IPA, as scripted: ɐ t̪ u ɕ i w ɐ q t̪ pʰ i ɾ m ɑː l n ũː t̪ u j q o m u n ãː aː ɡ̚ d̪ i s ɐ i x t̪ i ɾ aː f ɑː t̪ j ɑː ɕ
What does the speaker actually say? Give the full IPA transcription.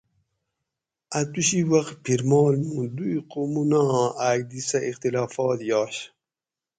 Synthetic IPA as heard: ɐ t̪ u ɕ i w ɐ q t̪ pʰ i ɾ m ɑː l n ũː d̪ u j q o m u n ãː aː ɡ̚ d̪ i s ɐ i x t̪ i l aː f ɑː t̪ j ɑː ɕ